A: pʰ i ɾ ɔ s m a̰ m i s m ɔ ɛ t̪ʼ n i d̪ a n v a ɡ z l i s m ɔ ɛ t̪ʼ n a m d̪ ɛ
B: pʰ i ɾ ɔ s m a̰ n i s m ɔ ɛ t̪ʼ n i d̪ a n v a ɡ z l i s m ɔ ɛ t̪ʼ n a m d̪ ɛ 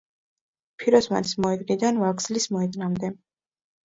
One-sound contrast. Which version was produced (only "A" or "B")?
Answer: B